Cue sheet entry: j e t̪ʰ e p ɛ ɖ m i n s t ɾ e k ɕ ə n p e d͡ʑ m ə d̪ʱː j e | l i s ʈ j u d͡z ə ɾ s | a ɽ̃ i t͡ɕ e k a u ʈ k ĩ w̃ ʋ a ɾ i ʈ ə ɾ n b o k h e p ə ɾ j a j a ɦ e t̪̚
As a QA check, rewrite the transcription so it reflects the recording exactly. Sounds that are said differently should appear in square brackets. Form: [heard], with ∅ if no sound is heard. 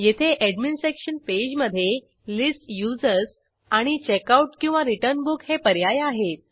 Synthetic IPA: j e t̪ʰ e [ʔ] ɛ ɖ m i n s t ɾ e k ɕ ə n p e d͡ʑ m ə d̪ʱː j e | l i s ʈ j u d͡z ə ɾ s | a ɽ̃ i t͡ɕ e k a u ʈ k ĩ w̃ ʋ a ɾ i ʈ ə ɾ n b [u] k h e p ə ɾ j a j a ɦ e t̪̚